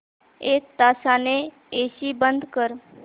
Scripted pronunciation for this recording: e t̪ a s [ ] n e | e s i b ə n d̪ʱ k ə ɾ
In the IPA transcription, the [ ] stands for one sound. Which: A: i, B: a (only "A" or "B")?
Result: B